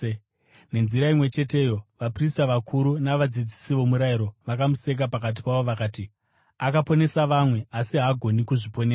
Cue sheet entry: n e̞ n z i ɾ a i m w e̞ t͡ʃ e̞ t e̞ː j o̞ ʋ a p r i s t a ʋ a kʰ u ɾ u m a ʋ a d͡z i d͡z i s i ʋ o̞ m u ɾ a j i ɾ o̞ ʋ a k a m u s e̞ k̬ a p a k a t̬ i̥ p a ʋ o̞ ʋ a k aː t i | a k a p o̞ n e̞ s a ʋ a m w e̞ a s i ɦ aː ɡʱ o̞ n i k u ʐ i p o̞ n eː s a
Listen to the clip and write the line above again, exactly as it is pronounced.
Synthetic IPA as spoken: n e̞ n z i ɾ a i m w e̞ t͡ʃ e̞ t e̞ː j o̞ ʋ a p r i s t a ʋ a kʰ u ɾ u n a ʋ a d͡z i d͡z i s i ʋ o̞ m u ɾ a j i ɾ o̞ ʋ a k a m u s e̞ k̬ a p a k a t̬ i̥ p a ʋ o̞ ʋ a k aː t i | a k a p o̞ n e̞ s a ʋ a m w e̞ a s i ɦ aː ɡʱ o̞ n i k u ʐ i p o̞ n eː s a